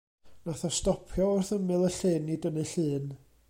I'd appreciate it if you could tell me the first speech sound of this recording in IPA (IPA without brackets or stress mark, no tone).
n